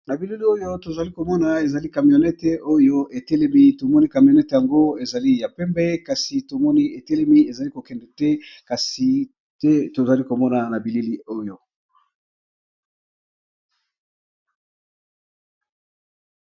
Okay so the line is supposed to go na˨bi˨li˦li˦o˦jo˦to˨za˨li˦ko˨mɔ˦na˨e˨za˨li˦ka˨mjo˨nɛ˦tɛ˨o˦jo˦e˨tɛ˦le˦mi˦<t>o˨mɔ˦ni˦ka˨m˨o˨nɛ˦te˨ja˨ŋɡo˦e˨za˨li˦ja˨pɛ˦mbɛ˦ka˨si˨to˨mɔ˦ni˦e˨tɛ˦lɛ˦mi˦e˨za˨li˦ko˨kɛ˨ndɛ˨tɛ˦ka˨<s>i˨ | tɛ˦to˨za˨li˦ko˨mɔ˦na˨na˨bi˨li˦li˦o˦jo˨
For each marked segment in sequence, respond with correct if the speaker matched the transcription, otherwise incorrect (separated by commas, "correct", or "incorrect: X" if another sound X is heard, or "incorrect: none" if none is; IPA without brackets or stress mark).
correct, correct